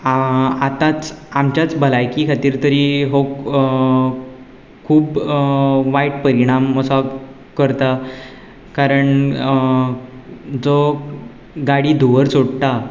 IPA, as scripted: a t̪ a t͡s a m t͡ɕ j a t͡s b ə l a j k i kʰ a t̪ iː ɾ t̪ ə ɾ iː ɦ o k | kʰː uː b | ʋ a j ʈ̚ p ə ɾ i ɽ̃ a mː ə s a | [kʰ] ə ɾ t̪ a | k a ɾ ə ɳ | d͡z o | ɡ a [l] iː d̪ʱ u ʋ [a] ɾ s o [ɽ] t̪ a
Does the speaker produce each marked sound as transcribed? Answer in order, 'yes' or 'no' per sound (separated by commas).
no, no, no, yes